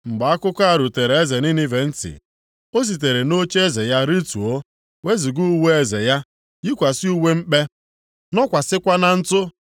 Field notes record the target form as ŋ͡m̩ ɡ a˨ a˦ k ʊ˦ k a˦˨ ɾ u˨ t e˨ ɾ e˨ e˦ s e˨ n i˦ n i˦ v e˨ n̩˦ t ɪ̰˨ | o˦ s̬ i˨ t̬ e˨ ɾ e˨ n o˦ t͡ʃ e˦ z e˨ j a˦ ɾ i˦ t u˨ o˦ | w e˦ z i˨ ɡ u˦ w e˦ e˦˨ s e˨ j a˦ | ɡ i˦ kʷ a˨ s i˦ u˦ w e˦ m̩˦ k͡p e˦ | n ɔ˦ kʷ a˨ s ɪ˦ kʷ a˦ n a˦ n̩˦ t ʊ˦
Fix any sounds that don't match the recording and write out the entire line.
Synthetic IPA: ŋ͡m̩ ɡ͡b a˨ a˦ k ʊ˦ k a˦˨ ɾ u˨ t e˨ ɾ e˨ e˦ z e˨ n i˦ n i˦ v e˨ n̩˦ t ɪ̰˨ | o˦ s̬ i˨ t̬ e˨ ɾ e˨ n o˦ t͡ʃ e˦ z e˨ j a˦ ɾ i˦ t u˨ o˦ | w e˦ z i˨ ɡ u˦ w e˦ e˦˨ z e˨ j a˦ | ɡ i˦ kʷ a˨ s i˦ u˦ w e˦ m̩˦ k͡p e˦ | n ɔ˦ kʷ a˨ s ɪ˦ kʷ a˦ n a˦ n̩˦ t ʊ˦